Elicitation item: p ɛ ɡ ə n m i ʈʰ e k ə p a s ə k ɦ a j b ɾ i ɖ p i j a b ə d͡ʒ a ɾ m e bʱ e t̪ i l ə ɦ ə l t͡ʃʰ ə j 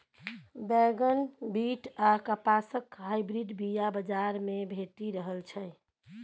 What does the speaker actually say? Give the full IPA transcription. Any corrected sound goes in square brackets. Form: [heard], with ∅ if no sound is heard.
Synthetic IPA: [b] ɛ ɡ ə n [b] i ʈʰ [a] k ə p a s ə k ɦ a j b ɾ i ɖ [b] i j a b ə d͡ʒ a ɾ m e bʱ e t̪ i [ɾ] ə ɦ ə l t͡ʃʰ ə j